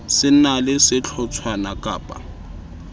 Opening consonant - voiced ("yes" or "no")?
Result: no